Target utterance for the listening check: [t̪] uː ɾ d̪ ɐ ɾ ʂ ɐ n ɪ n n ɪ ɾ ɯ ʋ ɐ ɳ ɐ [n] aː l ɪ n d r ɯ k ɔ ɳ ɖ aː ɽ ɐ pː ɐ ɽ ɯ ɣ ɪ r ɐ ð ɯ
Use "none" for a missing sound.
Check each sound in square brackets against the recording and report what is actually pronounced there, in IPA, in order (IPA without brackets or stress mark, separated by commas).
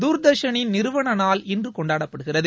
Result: d̪, n